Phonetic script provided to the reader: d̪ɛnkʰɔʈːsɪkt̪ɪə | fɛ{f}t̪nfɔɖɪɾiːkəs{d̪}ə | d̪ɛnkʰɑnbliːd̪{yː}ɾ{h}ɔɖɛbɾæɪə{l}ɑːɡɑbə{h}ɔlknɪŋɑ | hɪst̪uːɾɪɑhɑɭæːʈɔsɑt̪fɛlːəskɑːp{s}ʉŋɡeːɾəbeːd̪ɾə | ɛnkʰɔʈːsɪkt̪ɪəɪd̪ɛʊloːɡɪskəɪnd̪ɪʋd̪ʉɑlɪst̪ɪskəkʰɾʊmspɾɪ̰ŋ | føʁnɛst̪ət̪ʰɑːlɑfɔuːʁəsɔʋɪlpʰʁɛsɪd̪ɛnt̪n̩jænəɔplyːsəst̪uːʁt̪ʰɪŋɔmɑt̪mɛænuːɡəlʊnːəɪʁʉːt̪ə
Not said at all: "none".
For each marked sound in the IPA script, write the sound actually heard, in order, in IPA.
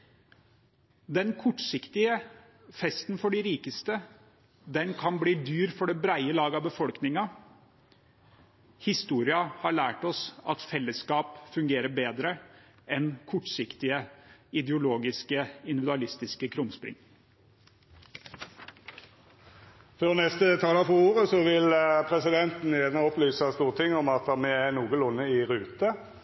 s, t̪, yː, f, l, f, f

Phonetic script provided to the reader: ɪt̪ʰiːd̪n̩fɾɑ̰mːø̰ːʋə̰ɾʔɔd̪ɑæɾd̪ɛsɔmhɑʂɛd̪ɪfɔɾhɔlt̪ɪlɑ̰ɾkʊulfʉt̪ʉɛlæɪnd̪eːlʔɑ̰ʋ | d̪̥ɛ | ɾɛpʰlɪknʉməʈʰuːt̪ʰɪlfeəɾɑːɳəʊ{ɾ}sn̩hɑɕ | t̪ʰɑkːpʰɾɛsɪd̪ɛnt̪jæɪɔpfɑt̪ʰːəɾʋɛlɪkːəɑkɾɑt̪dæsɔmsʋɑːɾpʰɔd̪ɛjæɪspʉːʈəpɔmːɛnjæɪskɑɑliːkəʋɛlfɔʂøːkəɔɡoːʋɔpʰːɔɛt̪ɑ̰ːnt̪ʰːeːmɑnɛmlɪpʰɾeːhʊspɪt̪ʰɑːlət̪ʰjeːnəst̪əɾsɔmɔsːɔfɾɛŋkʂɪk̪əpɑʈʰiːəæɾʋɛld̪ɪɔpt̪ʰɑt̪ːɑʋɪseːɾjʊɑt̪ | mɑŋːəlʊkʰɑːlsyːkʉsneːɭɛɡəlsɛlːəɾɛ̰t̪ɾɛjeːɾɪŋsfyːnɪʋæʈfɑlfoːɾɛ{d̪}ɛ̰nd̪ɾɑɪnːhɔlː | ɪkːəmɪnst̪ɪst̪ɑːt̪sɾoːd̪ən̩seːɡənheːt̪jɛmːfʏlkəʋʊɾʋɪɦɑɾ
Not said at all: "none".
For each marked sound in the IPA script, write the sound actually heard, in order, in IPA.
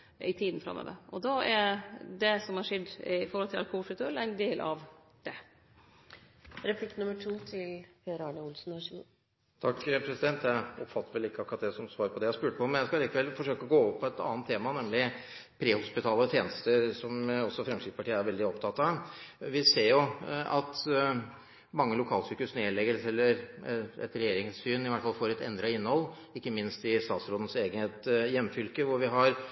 l, t̪

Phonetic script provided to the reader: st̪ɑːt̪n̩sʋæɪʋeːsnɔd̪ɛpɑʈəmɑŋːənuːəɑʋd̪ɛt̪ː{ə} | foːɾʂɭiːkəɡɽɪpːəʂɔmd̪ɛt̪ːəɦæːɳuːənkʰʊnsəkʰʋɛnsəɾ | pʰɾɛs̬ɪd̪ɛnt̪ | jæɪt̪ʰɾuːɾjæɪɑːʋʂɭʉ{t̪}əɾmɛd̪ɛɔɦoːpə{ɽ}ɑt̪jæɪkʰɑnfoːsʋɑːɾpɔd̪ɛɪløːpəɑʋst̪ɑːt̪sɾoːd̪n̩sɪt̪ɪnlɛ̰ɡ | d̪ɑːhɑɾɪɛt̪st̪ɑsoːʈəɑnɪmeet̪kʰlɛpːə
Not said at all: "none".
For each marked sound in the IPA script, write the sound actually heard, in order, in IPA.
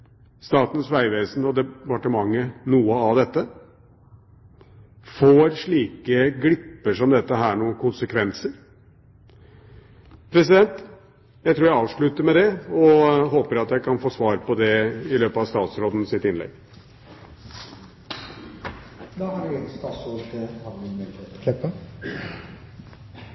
ə, t̪, ɾ

